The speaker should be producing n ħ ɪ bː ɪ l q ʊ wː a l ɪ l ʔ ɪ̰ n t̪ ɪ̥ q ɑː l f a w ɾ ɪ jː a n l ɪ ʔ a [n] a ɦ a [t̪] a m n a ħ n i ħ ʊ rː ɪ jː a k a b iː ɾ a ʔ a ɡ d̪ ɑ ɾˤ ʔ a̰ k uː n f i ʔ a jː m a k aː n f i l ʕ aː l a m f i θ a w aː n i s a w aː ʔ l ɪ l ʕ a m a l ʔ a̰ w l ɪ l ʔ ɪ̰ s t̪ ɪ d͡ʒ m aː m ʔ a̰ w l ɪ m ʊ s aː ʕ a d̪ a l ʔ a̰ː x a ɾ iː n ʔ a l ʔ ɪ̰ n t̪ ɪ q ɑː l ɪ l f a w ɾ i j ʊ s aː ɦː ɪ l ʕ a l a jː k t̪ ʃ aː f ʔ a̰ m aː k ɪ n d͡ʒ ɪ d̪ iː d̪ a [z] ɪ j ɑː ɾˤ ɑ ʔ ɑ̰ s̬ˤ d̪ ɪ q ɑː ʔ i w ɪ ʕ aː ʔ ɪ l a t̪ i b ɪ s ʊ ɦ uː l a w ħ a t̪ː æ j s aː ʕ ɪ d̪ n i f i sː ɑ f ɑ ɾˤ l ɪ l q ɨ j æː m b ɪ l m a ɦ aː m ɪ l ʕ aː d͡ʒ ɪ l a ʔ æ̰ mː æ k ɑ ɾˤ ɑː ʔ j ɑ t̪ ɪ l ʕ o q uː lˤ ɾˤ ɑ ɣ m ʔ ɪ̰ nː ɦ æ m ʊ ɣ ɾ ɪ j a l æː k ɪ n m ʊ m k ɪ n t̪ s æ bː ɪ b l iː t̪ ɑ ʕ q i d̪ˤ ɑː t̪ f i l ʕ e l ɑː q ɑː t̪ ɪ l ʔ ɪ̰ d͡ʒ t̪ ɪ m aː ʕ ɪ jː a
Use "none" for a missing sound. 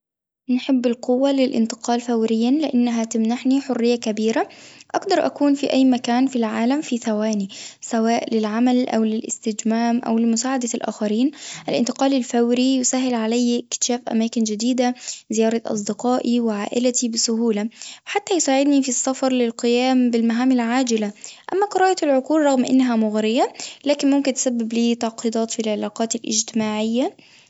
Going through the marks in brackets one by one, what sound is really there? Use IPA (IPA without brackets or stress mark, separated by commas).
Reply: nː, t̪, z